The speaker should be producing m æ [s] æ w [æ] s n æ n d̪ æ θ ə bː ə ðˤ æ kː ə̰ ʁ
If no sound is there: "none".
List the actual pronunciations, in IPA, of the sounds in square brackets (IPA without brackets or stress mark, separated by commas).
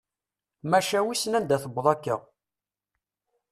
ʃ, i